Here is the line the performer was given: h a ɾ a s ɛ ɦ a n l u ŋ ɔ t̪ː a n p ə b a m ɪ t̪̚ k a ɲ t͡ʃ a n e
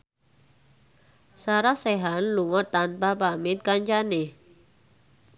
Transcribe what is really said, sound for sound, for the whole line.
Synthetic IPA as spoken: s a ɾ a s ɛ ɦ a n l u ŋ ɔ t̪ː a n p a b a m ɪ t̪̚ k a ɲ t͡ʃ a n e